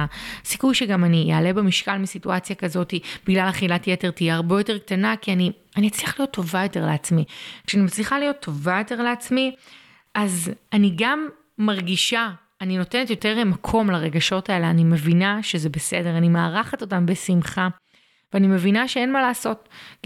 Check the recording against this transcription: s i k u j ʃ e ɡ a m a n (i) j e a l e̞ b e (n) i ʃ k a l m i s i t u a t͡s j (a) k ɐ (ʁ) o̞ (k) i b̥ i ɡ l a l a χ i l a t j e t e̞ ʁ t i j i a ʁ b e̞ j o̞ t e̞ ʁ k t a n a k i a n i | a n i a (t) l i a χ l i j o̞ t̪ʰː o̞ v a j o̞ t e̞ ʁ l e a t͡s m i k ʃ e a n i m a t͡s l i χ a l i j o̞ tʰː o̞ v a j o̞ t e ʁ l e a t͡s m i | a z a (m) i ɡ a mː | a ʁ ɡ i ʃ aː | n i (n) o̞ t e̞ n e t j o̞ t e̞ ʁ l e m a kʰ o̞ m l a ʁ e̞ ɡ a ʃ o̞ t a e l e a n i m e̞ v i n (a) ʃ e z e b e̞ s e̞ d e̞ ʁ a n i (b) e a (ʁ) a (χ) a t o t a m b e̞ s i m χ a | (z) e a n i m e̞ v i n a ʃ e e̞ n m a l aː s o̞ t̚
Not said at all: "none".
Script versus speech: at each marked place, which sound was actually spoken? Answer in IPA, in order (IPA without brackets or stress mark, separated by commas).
i, m, a, z, t, t͡s, n, n, a, m, ʁ, χ, v